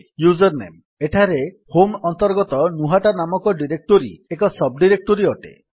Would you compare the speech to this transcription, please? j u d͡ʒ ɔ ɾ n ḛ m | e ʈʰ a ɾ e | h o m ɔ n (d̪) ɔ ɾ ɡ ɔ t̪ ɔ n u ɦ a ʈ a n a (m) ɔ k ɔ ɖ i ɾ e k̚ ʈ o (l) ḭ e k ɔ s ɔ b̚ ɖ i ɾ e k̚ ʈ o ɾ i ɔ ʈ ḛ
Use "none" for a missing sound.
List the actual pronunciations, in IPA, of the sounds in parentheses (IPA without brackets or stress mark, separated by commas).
t̪, m, ɾ